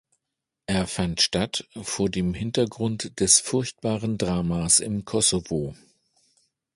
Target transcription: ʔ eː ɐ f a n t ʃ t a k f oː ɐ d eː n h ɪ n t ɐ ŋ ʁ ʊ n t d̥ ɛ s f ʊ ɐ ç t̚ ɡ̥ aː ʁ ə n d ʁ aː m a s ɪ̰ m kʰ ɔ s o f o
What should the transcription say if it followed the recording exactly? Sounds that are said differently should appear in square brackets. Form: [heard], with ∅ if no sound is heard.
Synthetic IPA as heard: ʔ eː ɐ f a n t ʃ t a [t] f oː ɐ d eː [m] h ɪ n t ɐ [ɡ] ʁ ʊ n t d̥ ɛ s f ʊ ɐ ç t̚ [b̥] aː ʁ ə n d ʁ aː m a s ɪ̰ m kʰ ɔ s o [v] o